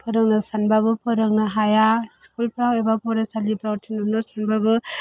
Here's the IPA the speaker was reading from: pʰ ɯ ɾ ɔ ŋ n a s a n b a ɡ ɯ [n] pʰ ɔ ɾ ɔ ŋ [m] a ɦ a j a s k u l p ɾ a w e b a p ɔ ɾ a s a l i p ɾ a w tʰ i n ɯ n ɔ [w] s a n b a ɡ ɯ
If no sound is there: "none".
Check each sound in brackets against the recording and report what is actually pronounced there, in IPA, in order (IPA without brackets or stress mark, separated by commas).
none, n, none